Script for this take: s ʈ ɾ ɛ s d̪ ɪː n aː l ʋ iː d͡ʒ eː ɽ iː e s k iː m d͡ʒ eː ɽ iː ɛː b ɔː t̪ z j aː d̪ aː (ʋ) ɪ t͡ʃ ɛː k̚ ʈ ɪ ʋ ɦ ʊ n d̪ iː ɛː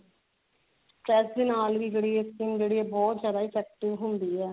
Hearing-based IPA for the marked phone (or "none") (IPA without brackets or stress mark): none